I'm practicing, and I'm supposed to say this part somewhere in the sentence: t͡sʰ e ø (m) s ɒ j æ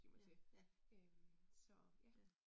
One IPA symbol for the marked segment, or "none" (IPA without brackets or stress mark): m